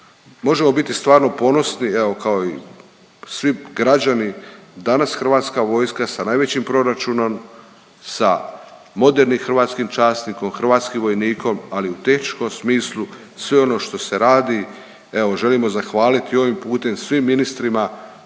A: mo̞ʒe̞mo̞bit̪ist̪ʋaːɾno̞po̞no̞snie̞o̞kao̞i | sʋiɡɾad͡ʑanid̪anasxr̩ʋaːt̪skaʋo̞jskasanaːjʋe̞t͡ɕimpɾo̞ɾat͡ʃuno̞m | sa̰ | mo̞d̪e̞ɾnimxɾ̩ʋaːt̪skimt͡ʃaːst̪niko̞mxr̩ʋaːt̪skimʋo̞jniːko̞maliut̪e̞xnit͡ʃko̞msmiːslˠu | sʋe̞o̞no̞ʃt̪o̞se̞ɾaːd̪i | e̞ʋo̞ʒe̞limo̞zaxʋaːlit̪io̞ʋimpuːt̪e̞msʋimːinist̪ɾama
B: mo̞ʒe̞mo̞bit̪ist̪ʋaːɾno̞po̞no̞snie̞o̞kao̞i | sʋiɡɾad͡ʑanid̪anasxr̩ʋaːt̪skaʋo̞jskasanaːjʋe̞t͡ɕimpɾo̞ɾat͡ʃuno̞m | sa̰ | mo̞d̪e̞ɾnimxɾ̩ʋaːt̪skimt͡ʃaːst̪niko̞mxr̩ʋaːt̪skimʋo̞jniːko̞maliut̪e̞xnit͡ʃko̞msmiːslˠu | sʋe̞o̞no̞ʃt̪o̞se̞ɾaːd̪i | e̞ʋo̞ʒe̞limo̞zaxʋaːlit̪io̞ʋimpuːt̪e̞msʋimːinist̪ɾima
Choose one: B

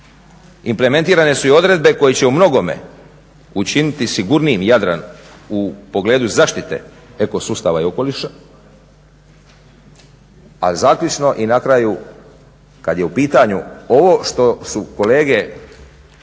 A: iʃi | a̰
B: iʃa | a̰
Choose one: B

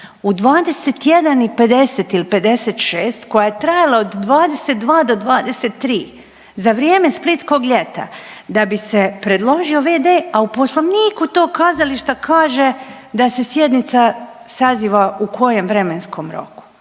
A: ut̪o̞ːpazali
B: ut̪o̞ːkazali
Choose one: B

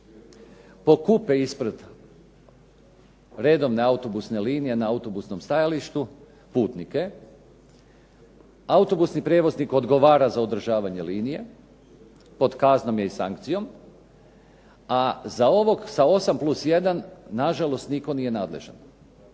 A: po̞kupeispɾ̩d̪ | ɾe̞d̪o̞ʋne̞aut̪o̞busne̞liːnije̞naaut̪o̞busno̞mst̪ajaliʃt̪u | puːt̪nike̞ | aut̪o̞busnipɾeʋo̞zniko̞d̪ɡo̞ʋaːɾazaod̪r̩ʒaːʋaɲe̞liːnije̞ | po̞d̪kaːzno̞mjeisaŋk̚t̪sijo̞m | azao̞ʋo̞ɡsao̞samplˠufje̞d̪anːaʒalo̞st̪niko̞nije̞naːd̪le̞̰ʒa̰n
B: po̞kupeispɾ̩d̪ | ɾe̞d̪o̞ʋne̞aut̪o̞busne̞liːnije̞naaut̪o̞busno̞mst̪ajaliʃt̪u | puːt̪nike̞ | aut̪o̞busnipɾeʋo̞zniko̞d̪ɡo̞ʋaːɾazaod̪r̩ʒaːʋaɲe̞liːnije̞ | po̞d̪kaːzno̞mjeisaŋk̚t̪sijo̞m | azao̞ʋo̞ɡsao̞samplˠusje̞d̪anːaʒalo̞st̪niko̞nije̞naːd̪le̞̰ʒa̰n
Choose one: B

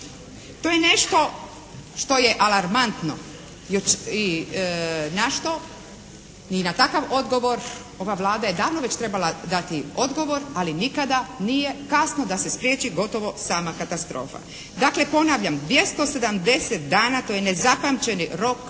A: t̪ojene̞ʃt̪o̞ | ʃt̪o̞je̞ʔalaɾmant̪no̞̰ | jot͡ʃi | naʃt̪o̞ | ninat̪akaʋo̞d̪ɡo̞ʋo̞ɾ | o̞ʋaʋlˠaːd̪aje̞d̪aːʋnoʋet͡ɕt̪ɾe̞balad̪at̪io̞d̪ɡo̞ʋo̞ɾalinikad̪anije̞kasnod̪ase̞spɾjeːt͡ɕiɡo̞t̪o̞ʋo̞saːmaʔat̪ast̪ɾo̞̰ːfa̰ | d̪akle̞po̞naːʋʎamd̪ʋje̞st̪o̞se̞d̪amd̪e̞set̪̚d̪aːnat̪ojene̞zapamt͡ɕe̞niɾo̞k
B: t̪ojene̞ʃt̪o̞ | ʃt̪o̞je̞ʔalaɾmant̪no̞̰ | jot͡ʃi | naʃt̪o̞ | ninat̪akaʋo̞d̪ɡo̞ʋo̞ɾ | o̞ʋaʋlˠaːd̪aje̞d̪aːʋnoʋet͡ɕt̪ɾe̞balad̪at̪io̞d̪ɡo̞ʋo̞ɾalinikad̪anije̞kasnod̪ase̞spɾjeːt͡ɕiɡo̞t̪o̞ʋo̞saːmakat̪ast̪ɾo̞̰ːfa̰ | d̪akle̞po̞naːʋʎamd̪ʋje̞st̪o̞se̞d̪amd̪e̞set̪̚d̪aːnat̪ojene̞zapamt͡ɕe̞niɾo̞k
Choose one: B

